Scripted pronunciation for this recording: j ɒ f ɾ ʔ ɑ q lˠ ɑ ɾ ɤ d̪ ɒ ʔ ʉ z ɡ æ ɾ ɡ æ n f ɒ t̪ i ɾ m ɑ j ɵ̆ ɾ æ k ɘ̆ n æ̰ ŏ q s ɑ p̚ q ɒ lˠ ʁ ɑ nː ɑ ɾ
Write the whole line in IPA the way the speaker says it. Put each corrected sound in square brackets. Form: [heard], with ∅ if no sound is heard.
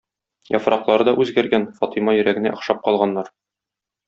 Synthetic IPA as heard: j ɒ f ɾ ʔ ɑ q lˠ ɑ ɾ ɤ d̪ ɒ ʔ ʉ z ɡ æ ɾ ɡ æ n f ɒ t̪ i [∅] m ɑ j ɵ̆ ɾ æ [ɡ] ɘ̆ n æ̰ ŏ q [ʃ] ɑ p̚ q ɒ lˠ ʁ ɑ nː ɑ ɾ